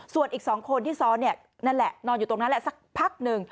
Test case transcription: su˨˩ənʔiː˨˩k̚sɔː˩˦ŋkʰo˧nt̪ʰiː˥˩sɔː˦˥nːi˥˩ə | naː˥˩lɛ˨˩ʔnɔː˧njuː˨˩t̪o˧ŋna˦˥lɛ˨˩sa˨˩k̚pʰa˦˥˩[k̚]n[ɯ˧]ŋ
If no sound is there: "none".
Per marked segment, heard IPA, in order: k̚, ɯ˧

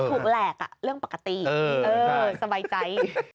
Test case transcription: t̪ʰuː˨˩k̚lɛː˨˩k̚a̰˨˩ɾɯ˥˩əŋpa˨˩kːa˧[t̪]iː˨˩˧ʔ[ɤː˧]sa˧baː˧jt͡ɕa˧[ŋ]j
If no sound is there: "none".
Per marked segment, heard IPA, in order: t̪, ɤː˧, none

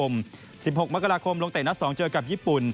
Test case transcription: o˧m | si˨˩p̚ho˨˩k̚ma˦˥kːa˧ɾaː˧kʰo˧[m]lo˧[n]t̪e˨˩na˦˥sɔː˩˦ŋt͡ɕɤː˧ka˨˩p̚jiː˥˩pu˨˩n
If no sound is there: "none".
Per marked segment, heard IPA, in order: m, ŋ

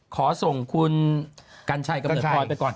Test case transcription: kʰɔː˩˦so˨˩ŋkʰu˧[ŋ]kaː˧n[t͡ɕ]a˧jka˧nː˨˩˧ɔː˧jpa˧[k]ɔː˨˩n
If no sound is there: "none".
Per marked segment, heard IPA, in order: n, t͡ɕʰ, k

